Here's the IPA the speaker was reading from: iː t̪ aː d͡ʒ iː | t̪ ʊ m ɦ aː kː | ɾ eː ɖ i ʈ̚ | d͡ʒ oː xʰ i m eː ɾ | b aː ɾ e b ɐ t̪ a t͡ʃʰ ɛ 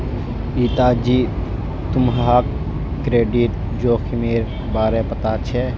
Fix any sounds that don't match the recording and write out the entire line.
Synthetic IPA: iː t̪ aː d͡ʒ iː | t̪ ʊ m ɦ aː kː | ɾ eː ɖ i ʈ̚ | d͡ʒ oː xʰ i m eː ɾ | b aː ɾ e p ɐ t̪ a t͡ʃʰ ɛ